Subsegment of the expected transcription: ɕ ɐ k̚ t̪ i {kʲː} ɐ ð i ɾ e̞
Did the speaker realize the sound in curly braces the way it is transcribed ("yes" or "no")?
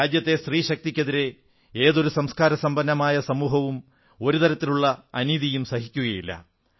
yes